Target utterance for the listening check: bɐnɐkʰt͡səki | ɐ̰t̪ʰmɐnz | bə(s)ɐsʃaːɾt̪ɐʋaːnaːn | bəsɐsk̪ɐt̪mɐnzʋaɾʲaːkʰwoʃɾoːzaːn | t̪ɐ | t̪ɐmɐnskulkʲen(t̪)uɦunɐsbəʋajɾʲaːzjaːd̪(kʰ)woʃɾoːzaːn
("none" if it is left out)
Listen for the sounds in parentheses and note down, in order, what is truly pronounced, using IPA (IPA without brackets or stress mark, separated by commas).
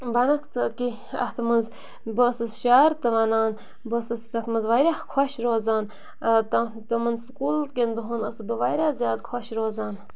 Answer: s, d̪, kʰ